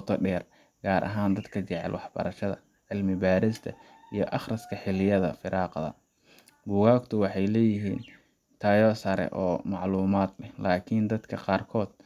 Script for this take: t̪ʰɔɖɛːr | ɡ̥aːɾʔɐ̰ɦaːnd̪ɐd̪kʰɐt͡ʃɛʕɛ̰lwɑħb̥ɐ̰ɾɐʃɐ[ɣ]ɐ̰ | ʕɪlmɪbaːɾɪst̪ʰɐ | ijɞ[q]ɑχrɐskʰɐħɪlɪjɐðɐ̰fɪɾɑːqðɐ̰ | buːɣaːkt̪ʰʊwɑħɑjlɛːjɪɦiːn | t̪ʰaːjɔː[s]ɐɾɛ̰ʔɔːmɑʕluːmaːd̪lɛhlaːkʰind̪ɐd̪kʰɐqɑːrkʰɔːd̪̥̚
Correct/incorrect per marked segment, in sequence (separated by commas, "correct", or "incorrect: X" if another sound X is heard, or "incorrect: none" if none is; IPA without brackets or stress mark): incorrect: ð, incorrect: ʔ, correct